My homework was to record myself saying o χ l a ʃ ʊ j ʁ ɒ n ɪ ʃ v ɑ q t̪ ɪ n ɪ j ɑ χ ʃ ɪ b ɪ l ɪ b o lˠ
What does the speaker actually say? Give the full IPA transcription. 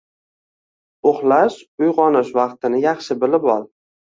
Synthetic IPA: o χ l a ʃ ʊ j ʁ ɒ n ɪ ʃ v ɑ q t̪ ɪ n ɪ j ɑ χ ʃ ɪ b ɪ l ɪ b ɒ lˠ